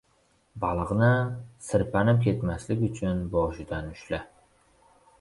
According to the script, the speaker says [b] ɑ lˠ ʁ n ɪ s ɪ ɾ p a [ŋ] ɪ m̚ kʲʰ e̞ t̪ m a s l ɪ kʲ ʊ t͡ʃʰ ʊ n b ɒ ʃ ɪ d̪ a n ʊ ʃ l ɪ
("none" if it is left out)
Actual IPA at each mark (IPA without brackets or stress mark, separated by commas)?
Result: b, n